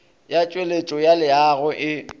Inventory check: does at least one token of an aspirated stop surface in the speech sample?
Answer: no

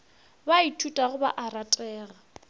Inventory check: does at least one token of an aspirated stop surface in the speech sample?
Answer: yes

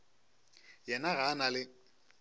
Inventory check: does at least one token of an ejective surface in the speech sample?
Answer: no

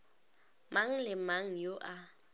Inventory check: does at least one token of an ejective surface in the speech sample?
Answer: no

